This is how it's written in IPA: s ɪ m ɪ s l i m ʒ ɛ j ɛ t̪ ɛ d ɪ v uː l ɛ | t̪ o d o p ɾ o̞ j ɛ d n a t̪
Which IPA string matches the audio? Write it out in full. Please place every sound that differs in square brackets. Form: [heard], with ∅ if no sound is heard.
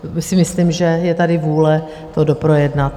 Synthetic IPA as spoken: s ɪ m ɪ s l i m ʒ ɛ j ɛ t̪ [a] d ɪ v uː l ɛ | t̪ o d o p ɾ o̞ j ɛ d n a t̪